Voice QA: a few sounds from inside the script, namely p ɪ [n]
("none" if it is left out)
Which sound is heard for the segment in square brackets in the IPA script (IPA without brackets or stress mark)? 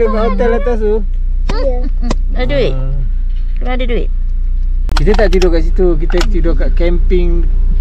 ŋ